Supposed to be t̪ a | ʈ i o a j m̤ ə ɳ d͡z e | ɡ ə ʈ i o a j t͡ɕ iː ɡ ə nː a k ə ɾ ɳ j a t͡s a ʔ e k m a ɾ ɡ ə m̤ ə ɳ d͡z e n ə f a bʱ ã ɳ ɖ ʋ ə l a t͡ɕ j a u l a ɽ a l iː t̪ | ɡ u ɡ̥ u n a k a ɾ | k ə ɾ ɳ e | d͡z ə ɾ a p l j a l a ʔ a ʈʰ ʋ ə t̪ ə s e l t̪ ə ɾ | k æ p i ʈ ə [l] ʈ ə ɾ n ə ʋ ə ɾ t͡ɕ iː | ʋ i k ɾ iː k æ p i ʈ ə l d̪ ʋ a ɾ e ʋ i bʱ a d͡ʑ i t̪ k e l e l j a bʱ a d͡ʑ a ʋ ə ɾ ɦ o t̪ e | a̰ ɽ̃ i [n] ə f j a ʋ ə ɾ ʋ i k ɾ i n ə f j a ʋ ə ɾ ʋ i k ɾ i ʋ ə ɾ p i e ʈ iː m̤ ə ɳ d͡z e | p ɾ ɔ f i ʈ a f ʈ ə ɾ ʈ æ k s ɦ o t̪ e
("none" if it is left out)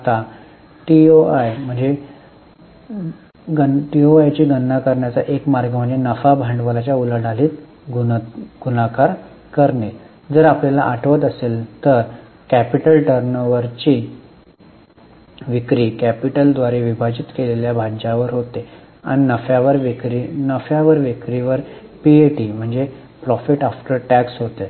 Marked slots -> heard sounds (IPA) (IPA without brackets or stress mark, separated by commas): l, n